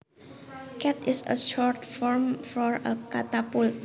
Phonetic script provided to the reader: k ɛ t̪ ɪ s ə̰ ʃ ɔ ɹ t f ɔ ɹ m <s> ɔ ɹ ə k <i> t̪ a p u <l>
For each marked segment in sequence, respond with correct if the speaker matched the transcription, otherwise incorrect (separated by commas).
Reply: incorrect, incorrect, correct